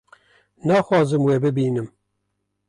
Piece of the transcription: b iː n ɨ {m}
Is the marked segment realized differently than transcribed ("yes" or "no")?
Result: no